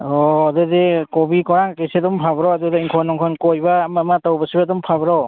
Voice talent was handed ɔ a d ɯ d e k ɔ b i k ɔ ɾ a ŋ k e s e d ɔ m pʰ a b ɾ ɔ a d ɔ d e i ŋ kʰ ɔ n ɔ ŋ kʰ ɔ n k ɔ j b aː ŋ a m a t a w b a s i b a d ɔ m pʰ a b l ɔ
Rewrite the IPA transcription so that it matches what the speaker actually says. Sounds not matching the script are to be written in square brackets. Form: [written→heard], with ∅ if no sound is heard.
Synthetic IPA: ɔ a d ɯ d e k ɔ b i k ɔ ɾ a ŋ k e s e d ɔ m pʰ a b ɾ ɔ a d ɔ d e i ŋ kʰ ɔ n ɔ ŋ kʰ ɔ n k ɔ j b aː [ŋ→m] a m a t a w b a s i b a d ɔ m pʰ a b [l→ɾ] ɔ